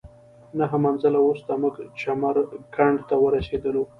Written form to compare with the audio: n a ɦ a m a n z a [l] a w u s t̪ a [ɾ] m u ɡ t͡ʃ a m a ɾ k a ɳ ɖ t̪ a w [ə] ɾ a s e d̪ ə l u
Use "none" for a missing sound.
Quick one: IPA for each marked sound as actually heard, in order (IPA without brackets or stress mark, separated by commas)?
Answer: l, none, ə